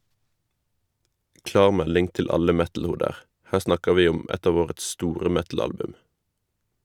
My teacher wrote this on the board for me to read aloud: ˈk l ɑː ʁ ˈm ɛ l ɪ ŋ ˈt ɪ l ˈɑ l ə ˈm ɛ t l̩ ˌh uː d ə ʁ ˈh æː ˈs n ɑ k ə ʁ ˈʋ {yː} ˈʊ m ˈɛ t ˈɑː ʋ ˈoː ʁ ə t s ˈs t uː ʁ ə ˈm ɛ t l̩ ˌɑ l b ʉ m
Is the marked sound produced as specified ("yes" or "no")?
no